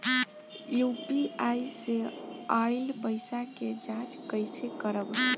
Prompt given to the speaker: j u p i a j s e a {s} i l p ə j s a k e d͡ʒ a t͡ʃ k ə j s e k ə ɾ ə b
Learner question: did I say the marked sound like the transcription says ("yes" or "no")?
no